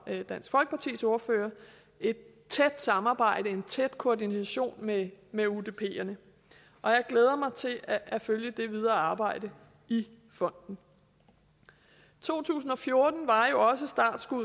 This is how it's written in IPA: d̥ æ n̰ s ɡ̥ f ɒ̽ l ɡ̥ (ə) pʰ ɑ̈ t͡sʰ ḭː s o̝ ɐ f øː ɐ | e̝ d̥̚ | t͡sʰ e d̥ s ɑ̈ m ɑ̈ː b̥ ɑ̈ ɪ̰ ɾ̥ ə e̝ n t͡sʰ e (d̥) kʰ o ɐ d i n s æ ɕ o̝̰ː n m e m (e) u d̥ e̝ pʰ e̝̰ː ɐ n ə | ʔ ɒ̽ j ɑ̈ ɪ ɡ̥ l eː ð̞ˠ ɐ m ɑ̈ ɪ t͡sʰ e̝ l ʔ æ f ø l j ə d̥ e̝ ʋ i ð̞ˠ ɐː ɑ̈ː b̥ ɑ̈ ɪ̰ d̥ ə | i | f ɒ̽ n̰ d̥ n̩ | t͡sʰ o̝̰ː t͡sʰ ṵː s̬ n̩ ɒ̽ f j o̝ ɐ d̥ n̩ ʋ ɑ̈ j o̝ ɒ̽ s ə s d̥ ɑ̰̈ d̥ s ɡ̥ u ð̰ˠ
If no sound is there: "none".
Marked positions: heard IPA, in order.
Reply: ə, d̥, e

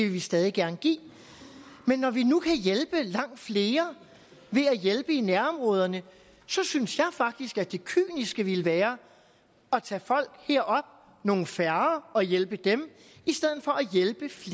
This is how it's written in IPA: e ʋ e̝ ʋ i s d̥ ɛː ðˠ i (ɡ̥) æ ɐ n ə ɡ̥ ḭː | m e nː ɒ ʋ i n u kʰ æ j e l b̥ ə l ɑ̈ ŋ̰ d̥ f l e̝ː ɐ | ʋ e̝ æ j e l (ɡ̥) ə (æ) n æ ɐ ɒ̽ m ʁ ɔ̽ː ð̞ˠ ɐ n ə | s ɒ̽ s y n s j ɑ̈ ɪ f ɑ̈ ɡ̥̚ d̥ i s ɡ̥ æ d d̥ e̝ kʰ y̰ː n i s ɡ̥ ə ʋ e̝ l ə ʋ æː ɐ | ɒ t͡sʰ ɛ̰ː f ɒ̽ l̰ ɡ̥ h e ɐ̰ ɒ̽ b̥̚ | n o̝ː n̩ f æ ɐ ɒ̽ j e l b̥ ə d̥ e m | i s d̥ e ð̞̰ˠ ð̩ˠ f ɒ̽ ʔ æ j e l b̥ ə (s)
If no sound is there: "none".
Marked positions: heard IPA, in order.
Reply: ɡ̥, b̥, i, f

